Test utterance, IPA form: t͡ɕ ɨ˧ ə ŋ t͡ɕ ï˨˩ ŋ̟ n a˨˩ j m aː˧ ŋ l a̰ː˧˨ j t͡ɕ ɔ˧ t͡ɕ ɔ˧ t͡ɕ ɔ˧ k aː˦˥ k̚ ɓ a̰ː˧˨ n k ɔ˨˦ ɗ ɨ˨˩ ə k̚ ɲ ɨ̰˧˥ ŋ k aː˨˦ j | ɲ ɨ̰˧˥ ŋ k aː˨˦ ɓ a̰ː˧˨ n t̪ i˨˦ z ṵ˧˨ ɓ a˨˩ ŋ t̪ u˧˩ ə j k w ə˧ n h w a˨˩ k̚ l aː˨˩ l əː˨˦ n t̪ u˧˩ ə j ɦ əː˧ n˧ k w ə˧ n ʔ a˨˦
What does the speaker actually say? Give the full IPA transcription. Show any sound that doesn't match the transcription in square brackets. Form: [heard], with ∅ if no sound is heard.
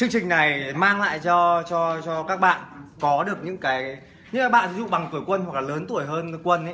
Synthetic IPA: t͡ɕ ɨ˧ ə ŋ t͡ɕ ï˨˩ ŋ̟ n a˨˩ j m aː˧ ŋ l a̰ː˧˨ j t͡ɕ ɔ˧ t͡ɕ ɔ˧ t͡ɕ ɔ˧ k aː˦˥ k̚ ɓ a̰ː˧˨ n k ɔ˨˦ ɗ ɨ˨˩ ə k̚ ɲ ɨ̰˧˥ ŋ k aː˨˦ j | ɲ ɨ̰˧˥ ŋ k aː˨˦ ɓ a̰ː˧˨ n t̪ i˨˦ z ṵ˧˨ ɓ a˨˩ ŋ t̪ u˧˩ ə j k w ə˧ n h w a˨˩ k̚ l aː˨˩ l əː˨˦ n t̪ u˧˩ ə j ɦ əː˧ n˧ k w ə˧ n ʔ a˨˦